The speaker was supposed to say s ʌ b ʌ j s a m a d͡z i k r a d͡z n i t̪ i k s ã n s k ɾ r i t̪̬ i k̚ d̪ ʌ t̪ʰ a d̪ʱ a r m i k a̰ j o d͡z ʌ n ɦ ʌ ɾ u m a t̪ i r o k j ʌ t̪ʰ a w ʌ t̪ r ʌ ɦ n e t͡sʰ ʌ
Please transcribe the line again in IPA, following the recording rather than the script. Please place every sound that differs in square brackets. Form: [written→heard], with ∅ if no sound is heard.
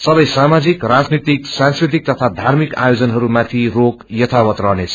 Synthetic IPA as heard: s ʌ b ʌ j s a m a d͡z i k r a d͡z n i t̪ i k s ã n s k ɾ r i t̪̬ i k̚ [d̪→t̪] ʌ t̪ʰ a d̪ʱ a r m i k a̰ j o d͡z ʌ n ɦ ʌ ɾ u m a [t̪→t̪ʰ] i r o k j ʌ t̪ʰ a w ʌ t̪ r ʌ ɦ n e t͡sʰ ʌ

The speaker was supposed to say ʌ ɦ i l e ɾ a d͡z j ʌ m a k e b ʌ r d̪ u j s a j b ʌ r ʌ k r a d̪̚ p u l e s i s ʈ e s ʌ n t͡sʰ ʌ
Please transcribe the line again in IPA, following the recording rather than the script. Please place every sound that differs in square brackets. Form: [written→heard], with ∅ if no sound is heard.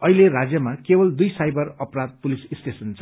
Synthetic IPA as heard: ʌ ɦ i l e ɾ a d͡z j ʌ m a k e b ʌ [r→l] d̪ u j s a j b ʌ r ʌ [k→p] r a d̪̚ p u l [e→i] s i s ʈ e s ʌ n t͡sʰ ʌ

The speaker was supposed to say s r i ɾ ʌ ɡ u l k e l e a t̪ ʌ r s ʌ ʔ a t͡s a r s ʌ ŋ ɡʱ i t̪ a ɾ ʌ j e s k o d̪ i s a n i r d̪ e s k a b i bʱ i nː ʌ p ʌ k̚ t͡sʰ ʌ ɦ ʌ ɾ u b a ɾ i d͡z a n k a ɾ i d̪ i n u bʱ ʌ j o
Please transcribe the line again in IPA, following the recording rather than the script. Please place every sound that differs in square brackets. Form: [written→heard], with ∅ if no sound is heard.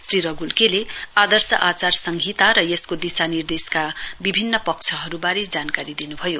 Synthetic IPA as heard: s r i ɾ ʌ ɡ u l k e l e a [t̪→d̪] ʌ r s ʌ ʔ a t͡s a r s ʌ ŋ ɡʱ i t̪ a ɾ ʌ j e s k o d̪ i s a n i r d̪ e s k a b i bʱ i nː ʌ p ʌ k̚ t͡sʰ ʌ ɦ ʌ ɾ u b a ɾ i d͡z a n k a ɾ i d̪ i n u bʱ ʌ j o

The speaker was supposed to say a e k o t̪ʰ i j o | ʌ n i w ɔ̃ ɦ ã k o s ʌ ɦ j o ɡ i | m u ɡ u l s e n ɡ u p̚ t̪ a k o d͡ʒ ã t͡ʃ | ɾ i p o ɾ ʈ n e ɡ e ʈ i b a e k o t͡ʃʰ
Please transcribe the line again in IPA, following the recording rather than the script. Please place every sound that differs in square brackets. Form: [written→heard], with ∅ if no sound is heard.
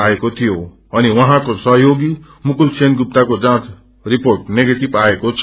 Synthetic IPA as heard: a e k o t̪ʰ i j o | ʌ n i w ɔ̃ ɦ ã k o s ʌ ɦ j o ɡ i | m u [ɡ→k] u l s e n ɡ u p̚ t̪ a k o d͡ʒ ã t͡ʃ | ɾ i p o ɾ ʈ n e ɡ e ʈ i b a e k o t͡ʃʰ

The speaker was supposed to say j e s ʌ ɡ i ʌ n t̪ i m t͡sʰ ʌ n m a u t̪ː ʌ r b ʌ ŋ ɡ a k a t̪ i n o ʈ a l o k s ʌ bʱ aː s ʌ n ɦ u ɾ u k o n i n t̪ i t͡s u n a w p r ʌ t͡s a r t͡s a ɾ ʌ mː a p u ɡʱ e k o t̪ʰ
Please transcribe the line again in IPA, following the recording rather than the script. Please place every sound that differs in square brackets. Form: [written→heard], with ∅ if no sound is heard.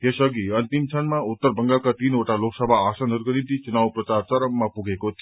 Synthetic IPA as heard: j e s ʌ ɡ i ʌ n t̪ i m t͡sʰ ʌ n m a u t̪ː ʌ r b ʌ ŋ ɡ a k a t̪ i n o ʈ a l o k s ʌ bʱ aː s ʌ n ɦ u ɾ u k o n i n t̪ i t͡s u n a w p r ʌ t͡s a r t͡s [a→ʌ] ɾ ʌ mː a p u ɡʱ e k o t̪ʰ

